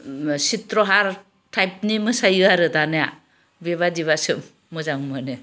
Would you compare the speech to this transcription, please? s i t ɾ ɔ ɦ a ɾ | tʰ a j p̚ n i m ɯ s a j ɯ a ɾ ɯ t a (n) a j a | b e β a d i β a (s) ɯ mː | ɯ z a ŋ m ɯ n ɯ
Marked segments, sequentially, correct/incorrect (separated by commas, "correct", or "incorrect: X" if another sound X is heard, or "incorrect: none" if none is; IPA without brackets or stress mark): correct, correct